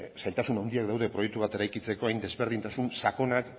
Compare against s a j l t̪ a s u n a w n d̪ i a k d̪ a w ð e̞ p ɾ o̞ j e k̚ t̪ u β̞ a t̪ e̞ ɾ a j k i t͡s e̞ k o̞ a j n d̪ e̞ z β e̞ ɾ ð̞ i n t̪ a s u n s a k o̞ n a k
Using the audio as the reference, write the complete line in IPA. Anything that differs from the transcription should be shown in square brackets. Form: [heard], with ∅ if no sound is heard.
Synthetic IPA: s a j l t̪ a s u n a w n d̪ i a k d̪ a w ð e̞ p ɾ o̞ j e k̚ t̪ u β̞ a t̪ e̞ ɾ a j k i t͡s e̞ k o̞ a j n d̪ e̞ z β e̞ ɾ ð̞ i n t̪ a s u n s a k o̞ n a k